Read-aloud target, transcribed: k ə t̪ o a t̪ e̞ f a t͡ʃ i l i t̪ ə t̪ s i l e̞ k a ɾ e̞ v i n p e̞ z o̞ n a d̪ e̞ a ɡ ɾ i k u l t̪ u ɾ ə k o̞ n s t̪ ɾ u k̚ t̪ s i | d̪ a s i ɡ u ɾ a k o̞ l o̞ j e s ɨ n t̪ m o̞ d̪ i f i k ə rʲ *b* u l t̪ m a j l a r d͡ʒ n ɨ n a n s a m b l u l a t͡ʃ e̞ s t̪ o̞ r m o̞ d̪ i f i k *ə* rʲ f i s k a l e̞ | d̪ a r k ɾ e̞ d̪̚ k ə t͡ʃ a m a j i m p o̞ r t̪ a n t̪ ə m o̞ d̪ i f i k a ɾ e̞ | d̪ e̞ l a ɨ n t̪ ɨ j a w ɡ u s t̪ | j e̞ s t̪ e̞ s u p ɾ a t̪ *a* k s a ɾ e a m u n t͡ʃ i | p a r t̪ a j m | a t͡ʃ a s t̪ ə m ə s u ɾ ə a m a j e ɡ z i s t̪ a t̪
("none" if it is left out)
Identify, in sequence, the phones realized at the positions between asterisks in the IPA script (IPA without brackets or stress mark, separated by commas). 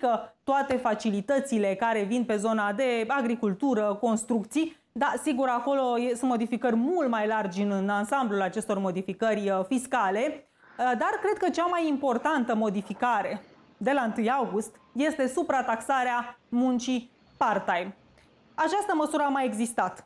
m, ə, a